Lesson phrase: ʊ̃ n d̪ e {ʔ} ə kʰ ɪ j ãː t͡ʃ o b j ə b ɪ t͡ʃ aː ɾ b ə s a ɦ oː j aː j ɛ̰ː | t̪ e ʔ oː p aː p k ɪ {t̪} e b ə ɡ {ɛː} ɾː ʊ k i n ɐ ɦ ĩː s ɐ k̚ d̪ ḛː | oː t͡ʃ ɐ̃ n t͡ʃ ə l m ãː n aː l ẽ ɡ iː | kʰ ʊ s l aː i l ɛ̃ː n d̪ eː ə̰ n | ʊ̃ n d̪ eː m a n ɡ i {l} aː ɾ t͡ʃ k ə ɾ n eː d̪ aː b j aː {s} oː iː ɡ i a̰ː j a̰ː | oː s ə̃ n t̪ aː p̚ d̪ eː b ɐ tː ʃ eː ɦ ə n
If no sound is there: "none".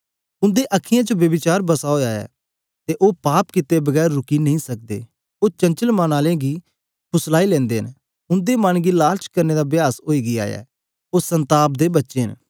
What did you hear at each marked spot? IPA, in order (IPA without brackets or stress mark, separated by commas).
ʔ, t̪, ɛː, l, s